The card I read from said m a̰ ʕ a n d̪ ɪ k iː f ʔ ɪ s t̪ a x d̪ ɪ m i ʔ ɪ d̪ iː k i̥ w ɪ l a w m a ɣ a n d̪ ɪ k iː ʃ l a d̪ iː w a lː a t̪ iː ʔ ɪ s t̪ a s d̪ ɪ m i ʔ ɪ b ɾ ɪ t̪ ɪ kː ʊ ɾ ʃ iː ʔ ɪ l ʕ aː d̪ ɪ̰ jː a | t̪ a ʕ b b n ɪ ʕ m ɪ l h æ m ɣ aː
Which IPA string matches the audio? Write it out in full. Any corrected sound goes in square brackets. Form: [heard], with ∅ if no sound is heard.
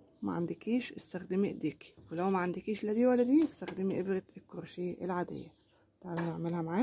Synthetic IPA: m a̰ ʕ a n d̪ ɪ k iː [ʃ] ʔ ɪ s t̪ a x d̪ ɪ m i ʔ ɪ d̪ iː k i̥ w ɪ l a w m a [ʕ] a n d̪ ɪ k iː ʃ l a d̪ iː w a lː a [d̪] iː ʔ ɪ s t̪ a [x] d̪ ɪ m i ʔ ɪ b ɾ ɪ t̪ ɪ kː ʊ ɾ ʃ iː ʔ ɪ l ʕ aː d̪ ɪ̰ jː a | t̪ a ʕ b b n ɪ ʕ m ɪ l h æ m [ʕ] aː

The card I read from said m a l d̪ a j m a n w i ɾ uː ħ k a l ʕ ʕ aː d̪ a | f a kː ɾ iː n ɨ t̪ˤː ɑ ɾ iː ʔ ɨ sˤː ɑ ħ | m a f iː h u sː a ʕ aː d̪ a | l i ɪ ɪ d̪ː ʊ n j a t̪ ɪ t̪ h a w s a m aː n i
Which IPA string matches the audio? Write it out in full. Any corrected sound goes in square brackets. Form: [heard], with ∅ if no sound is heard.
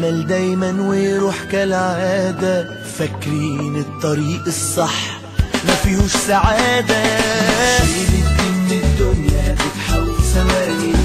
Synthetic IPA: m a l d̪ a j m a n w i ɾ uː ħ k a l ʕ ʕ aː d̪ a | f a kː ɾ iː n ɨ t̪ˤː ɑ ɾ iː ʔ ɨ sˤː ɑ ħ | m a f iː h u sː a ʕ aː d̪ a | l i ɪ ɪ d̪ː ʊ n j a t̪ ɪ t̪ [ħ] a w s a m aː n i

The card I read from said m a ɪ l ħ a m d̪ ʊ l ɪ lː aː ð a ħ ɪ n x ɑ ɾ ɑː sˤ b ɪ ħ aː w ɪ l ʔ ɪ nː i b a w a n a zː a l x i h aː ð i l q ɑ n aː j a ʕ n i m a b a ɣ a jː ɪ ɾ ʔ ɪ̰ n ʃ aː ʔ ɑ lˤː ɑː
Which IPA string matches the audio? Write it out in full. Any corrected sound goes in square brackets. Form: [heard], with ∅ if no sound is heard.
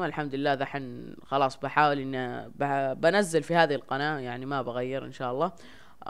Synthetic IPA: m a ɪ l ħ a m d̪ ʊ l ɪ lː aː ð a ħ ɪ n x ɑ [l] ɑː sˤ b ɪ ħ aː w ɪ l ʔ ɪ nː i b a [b] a n a zː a l [f] i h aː ð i l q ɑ n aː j a ʕ n i m a b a ɣ a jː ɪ ɾ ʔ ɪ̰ n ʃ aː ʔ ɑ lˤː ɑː

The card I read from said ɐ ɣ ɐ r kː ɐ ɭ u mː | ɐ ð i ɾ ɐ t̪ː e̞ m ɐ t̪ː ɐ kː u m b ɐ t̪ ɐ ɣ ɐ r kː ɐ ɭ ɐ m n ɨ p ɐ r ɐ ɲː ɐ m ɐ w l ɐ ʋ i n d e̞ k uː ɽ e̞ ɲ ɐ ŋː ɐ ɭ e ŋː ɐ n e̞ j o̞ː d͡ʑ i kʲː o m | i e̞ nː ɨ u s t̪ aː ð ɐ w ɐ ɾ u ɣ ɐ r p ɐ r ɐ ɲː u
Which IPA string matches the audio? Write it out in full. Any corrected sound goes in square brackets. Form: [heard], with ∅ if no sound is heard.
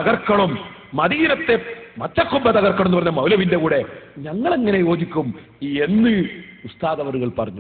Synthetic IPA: ɐ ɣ ɐ r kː ɐ ɭ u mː | ɐ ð i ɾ ɐ t̪ː e̞ m ɐ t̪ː ɐ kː u m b ɐ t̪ ɐ ɣ ɐ r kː ɐ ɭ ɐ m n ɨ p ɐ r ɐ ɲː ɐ m ɐ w l ɐ ʋ i n d e̞ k uː ɽ e̞ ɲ ɐ ŋː ɐ ɭ e ŋː ɐ n e̞ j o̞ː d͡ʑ i kʲː [u] m | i e̞ nː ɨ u s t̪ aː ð ɐ [ʋ] ɐ ɾ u ɣ ɐ [ɭ] p ɐ r ɐ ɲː u

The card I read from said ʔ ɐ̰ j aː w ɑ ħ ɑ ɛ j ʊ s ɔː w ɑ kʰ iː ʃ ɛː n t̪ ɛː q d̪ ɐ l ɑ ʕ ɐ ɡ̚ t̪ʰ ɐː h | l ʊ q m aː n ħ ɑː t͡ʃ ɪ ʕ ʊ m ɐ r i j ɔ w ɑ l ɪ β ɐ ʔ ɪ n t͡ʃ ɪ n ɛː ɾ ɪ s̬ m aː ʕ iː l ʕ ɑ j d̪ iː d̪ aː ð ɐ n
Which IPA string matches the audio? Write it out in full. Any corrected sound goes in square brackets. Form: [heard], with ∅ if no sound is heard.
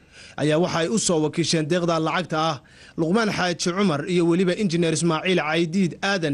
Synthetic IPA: ʔ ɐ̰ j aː w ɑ ħ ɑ ɛ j ʊ s ɔː w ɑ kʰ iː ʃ ɛː n [d̪] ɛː q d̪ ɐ l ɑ ʕ [ɑ] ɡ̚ t̪ʰ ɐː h | l ʊ q m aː n ħ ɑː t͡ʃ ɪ ʕ ʊ m ɐ r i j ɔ w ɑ l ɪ β ɐ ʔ ɪ n t͡ʃ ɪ n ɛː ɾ ɪ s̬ m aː ʕ iː l ʕ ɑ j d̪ iː d̪ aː ð ɐ n

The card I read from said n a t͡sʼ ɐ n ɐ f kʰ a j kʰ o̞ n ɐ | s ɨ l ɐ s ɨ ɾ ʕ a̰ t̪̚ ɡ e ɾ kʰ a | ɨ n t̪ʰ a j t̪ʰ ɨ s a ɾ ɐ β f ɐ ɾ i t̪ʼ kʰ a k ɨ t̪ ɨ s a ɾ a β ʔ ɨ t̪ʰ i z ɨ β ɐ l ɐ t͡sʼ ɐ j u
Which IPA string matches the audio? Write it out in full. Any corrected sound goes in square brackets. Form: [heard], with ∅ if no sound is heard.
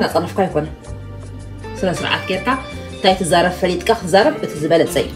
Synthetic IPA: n a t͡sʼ ɐ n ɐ f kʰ a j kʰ o̞ n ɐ | s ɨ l ɐ s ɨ ɾ ʕ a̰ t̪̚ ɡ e ɾ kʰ a | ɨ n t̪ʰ a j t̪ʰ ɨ [z] a ɾ ɐ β f ɐ [l] i t̪ʼ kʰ a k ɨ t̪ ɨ [z] a ɾ [ɐ] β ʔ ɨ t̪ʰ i z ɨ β ɐ l ɐ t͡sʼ ɐ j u

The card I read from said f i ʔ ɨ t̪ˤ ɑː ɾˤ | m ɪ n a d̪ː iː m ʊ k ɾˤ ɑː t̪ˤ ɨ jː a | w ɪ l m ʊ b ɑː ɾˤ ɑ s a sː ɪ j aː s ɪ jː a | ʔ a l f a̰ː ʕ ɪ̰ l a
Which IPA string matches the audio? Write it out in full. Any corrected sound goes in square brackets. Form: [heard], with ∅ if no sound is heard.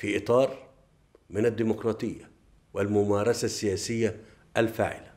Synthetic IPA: f i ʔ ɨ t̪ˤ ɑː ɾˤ | m ɪ n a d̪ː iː m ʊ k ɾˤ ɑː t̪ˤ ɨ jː a | w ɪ l m ʊ [m] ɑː ɾˤ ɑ s a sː ɪ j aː s ɪ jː a | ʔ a l f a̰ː ʕ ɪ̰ l a

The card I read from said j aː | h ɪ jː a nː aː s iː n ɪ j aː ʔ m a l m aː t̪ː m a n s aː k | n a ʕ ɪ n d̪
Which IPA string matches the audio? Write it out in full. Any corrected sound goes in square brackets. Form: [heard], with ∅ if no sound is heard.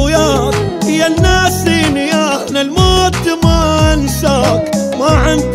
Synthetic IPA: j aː | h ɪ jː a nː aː s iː n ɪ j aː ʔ [n] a l m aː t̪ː m a n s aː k | [m] a ʕ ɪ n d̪

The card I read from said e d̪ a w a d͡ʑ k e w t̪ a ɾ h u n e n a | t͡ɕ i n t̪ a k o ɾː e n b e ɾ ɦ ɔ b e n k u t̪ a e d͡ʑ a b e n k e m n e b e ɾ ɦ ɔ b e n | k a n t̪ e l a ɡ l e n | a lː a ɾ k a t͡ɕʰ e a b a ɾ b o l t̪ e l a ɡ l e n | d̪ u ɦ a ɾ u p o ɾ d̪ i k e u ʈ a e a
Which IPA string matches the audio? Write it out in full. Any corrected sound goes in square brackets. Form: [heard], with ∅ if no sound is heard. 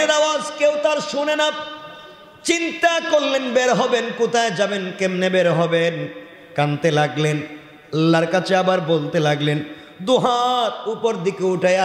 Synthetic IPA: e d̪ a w a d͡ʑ k e w t̪ a ɾ [ʃ] u n e n a | t͡ɕ i n t̪ a k o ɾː e n b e ɾ ɦ ɔ b e n k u t̪ a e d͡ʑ a b e n k e m n e b e ɾ ɦ ɔ b e n | k a n t̪ e l a ɡ l e n | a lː a ɾ k a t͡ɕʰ e a b a ɾ b o l t̪ e l a ɡ l e n | d̪ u ɦ a ɾ u p o ɾ d̪ i k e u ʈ a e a

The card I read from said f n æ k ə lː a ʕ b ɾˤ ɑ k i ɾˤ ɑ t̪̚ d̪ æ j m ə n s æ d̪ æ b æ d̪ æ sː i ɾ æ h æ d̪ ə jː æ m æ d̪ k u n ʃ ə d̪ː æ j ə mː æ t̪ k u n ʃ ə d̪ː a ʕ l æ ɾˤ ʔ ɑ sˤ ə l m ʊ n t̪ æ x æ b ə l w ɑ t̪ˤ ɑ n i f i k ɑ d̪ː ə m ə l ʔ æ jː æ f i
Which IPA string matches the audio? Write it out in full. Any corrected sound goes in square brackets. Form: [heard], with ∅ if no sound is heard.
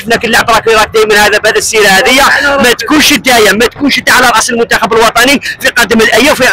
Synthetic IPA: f n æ k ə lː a ʕ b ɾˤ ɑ k i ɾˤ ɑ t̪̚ d̪ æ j m ə n [h] æ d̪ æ b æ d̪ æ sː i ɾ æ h æ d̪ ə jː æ m æ [t̪] k u n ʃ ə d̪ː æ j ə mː æ t̪ k u n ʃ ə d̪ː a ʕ l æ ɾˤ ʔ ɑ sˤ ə l m ʊ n t̪ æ x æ b ə l w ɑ t̪ˤ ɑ n i f i [q] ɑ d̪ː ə m ə l ʔ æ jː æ f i

